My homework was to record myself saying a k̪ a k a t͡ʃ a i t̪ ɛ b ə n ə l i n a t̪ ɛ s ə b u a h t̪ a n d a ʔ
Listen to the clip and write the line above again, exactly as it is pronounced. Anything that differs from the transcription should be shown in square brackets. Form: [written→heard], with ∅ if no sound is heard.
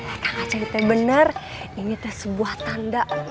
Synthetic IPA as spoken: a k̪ a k a t͡ʃ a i t̪ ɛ b ə n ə [l→r] i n [a→i] t̪ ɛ s ə b u a h t̪ a n d a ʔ

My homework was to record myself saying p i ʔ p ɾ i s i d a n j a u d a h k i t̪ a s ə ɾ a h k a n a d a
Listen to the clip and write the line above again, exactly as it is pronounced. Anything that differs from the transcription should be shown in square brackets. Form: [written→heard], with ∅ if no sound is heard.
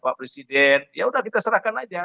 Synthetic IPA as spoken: p [i→a] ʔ p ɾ [i→e] s i d [a→ɛ] n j a u d a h k i t̪ a s ə ɾ a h k a n a [d→d͡ʒ] a

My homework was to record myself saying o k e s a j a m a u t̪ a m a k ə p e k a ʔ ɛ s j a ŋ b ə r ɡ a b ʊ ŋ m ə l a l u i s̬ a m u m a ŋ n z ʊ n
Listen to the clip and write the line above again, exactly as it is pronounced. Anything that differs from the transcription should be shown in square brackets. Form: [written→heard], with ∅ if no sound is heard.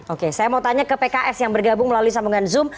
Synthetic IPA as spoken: o k e s a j a m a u t̪ a [m→ɲ] a k ə p e k a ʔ ɛ s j a ŋ b ə r ɡ a b ʊ ŋ m ə l a l u i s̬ a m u [m→ŋ] a [ŋ→∅] n z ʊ [n→m]

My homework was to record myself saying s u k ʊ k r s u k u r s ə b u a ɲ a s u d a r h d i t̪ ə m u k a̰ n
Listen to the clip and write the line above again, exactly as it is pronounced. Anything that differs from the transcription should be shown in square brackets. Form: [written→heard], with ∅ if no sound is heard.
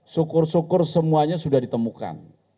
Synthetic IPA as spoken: s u k ʊ [k→∅] r s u k [u→ʊ] r s ə [b→m] u a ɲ a s u d a [r→∅] h d i t̪ ə m u k a̰ n

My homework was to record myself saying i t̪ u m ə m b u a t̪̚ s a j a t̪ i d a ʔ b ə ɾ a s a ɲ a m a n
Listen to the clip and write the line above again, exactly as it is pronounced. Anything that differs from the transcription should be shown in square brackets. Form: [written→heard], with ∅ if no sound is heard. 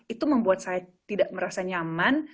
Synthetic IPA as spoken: i t̪ u m ə m b u a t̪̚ s a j a t̪ i d a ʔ [b→m] ə ɾ a s a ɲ a m a n

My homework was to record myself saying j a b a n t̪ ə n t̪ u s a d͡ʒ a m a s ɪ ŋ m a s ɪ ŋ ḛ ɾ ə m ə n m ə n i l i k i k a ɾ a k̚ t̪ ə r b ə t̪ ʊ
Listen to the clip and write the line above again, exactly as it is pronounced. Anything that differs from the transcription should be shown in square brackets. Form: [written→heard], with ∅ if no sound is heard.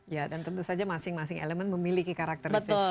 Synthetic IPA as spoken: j a [b→d] a n t̪ ə n t̪ u s a d͡ʒ a m a s ɪ ŋ m a s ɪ ŋ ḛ [ɾ→l] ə m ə n m ə [n→m] i l i k i k a ɾ a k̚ t̪ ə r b ə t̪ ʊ

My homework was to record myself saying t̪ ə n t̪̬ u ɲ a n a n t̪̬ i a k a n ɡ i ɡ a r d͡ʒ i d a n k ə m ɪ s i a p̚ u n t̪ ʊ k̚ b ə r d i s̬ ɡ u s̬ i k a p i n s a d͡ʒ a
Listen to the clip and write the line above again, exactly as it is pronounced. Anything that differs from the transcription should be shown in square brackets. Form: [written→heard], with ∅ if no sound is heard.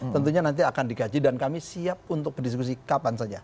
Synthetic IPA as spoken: t̪ ə n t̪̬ u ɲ a n a n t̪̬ i a k a n [ɡ→d] i ɡ a [r→∅] d͡ʒ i d a n k [ə→a] m [ɪ→i] s i a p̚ u n t̪ ʊ k̚ b ə r d i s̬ [ɡ→k] u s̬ i k a p [i→a] n s a d͡ʒ a

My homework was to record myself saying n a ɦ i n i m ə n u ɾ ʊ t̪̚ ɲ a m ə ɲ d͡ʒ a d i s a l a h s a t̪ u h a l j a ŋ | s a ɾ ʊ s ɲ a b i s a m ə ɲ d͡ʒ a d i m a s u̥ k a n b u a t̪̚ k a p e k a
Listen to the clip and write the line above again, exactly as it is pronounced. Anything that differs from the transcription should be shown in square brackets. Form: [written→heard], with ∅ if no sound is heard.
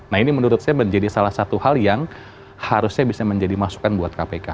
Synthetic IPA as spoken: n a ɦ i n i m ə n u ɾ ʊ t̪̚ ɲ a m ə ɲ d͡ʒ a d i s a l a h s a t̪ u h a l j a ŋ | [s→h] a ɾ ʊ s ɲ a b i s a m ə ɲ d͡ʒ a d i m a s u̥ k a n b u a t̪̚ k a p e k a

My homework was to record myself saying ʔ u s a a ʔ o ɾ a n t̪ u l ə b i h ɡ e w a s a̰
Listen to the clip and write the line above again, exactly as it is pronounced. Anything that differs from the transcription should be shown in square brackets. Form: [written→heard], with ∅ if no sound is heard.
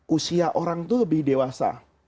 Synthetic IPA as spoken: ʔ u s [a→i] a ʔ o ɾ a [n→ŋ] t̪ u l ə b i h [ɡ→d] e w a s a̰

